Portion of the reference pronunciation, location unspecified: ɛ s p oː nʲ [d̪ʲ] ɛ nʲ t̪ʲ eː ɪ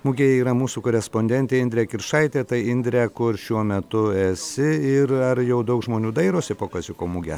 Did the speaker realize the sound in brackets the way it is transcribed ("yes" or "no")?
yes